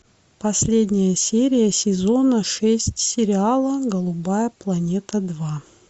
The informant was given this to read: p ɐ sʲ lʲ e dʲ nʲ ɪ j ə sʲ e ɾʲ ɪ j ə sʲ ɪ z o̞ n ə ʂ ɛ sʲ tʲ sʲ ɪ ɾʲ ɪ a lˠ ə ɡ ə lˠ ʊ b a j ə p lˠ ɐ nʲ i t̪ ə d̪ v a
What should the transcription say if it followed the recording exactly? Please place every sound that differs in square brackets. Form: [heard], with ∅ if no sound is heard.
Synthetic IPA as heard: p ɐ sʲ lʲ e dʲ nʲ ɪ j ə sʲ e ɾʲ ɪ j ə sʲ ɪ z o̞ n ə ʂ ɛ sʲ tʲ sʲ ɪ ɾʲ ɪ a lˠ ə ɡ ə lˠ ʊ b a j ə p lˠ ɐ nʲ [e] t̪ ə d̪ v a